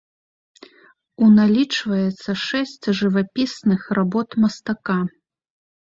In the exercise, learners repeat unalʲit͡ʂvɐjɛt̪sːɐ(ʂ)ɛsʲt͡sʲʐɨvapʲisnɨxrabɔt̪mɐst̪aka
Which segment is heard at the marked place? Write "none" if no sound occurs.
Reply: ʂ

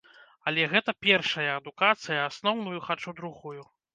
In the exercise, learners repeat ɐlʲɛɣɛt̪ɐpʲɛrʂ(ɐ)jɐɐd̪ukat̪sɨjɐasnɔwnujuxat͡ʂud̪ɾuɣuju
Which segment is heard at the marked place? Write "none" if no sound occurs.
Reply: ɐ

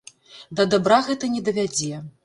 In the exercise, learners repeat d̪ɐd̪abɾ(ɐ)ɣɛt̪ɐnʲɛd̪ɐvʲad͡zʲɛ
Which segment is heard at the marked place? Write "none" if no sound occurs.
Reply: a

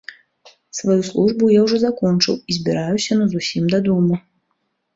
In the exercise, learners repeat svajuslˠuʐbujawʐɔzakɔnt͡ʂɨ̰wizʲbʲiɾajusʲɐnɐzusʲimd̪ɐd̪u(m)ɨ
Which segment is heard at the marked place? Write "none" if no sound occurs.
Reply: m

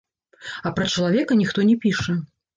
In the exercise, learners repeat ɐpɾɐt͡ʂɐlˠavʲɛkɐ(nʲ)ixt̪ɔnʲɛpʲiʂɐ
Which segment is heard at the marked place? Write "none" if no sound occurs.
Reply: nʲ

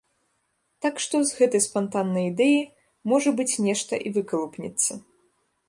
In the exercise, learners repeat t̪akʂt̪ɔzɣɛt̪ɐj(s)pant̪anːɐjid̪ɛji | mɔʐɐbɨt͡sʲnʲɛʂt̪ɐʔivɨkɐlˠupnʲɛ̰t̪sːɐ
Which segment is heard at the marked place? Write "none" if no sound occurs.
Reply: s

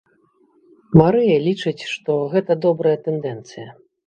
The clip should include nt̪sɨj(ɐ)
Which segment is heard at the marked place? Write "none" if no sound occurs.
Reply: ɐ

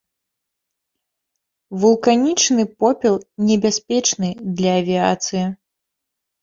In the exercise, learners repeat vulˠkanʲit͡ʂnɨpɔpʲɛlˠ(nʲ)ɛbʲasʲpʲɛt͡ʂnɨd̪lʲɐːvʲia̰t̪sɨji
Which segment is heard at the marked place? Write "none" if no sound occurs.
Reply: nʲ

